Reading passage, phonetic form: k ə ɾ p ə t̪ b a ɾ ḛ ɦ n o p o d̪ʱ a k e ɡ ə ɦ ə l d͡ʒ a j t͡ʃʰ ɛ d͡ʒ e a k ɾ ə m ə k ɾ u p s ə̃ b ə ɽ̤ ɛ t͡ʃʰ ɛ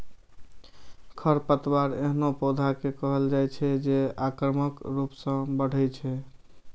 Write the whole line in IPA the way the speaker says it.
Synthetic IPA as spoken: kʰ ə ɾ p ə t̪ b a ɾ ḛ ɦ n o p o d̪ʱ a k e k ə ɦ ə l d͡ʒ a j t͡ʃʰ ɛ d͡ʒ e a k ɾ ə m ə k ɾ u p s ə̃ b ə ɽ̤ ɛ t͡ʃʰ ɛ